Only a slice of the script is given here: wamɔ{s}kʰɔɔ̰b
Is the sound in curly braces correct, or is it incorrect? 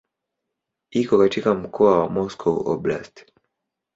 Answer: correct